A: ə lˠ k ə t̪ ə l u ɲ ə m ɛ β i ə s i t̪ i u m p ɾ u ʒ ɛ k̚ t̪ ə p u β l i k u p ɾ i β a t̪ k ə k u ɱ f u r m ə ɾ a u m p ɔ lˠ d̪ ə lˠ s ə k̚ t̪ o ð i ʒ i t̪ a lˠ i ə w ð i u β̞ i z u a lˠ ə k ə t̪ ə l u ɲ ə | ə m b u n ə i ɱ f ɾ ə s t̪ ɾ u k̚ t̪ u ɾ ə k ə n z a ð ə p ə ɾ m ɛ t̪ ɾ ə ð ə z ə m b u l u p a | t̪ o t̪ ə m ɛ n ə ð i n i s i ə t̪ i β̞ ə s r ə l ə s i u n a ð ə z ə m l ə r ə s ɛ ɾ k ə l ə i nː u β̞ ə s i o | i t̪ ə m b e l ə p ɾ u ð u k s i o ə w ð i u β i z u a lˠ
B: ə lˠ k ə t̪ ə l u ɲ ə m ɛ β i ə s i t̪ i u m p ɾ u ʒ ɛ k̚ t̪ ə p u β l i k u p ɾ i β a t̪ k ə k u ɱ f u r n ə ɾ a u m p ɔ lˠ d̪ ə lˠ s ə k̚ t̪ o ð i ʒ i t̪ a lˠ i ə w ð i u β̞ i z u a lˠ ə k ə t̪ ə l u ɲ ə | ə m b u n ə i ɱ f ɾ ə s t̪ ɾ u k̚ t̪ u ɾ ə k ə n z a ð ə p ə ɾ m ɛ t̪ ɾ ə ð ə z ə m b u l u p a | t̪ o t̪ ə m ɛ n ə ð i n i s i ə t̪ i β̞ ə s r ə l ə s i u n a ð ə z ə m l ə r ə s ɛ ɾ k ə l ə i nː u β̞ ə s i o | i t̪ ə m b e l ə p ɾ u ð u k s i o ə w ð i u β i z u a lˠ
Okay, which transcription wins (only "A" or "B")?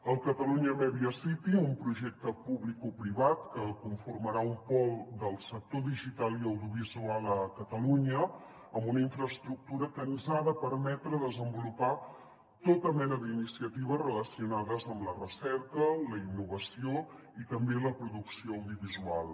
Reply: A